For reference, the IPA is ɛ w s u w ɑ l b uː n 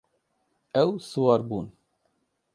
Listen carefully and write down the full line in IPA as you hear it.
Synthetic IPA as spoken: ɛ w s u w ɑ ɾ b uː n